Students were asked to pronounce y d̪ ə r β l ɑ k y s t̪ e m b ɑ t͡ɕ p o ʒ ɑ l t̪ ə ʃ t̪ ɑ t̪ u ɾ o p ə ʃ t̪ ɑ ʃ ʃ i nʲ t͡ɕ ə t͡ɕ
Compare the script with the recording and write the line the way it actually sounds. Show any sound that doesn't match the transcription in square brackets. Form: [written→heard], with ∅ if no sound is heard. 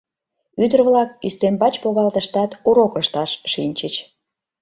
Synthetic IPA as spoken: y d̪ ə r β l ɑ k y s t̪ e m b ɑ t͡ɕ p o [ʒ→ɣ] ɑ l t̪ ə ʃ t̪ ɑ t̪ u ɾ o [p→k] ə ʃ t̪ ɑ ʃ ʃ i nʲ t͡ɕ ə t͡ɕ